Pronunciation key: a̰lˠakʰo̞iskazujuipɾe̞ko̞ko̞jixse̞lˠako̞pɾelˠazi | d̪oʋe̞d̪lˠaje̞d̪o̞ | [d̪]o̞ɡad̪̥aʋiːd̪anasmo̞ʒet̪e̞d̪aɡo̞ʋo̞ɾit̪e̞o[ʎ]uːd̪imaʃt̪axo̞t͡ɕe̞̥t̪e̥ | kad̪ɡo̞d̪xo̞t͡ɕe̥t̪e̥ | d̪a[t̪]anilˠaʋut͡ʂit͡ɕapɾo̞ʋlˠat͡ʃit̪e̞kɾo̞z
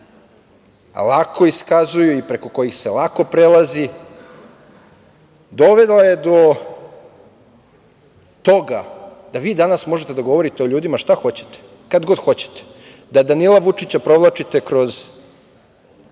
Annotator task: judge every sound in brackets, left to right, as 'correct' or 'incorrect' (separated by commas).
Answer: incorrect, correct, incorrect